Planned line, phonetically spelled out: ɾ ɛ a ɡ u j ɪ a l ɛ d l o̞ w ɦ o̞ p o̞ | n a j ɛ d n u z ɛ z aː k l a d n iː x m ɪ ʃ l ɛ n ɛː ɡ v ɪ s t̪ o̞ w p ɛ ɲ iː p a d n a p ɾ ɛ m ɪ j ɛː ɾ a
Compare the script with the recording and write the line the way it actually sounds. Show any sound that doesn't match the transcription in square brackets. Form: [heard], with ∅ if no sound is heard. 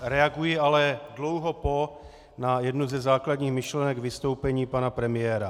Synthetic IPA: ɾ ɛ a ɡ u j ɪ a l ɛ d l o̞ w ɦ o̞ p o̞ | n a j ɛ d n u z ɛ z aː k l a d [ɲ] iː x m ɪ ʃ l ɛ n [ɛ] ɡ v ɪ s t̪ o̞ w p ɛ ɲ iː p a [∅] n a p ɾ ɛ m ɪ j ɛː ɾ a